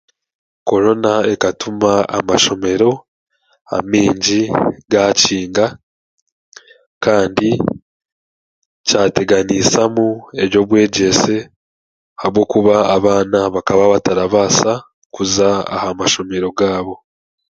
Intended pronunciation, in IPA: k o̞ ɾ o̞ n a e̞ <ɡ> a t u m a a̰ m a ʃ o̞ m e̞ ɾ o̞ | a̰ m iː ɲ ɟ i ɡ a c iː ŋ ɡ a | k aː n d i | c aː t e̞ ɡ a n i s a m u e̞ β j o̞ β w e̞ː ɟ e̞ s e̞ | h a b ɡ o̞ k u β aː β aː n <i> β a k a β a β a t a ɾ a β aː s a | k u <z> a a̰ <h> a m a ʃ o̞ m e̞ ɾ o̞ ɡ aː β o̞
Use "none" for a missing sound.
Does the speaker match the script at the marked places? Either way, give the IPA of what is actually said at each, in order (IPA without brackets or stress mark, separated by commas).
k, a, z, h